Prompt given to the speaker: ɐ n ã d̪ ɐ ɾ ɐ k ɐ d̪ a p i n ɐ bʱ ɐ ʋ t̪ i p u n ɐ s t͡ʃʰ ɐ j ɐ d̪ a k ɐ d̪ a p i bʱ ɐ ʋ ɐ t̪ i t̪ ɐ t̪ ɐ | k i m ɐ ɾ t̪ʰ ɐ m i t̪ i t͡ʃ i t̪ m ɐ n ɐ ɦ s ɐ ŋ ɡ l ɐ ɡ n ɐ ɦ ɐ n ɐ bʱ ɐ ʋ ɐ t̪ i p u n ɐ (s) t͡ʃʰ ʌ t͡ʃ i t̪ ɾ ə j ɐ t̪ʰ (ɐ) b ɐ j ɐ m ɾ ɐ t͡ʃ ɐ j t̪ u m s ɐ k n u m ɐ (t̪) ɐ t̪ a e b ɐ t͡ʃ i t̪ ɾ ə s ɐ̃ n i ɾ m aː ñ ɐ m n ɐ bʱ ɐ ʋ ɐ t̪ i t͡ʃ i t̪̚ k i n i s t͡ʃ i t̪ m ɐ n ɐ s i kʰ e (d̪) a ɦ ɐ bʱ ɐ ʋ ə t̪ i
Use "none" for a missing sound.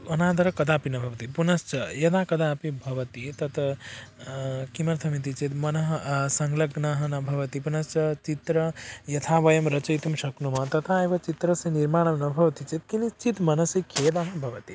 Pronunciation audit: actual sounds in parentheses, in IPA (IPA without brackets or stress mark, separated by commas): s, a, t̪, d̪